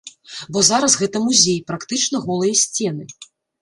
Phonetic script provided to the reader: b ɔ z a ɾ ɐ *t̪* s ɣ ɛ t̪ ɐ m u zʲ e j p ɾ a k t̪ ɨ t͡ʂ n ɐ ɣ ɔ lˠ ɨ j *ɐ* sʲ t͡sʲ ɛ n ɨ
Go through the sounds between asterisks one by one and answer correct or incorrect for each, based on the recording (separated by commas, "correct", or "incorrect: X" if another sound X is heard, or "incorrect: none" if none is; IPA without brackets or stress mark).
incorrect: none, correct